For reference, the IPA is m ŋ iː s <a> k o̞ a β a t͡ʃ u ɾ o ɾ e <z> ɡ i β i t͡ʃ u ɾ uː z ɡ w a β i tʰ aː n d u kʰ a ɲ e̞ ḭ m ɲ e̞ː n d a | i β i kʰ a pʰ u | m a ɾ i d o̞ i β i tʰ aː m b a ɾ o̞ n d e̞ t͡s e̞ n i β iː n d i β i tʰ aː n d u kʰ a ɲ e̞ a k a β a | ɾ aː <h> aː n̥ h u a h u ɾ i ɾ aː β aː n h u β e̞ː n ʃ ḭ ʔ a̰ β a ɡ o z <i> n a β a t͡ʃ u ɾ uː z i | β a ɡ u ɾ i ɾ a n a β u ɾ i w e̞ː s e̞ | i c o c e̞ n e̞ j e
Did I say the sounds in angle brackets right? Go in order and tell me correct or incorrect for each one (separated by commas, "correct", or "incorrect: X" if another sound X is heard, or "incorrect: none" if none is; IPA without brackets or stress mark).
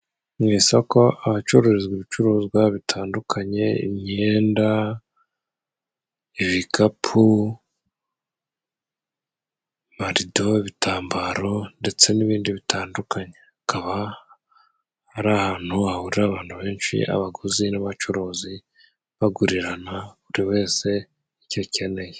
correct, correct, correct, correct